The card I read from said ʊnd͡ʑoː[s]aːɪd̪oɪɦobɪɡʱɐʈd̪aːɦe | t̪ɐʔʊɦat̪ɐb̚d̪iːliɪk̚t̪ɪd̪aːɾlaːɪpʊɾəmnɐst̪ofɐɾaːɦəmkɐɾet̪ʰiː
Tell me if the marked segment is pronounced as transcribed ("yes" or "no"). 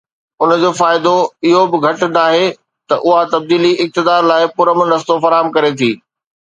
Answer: no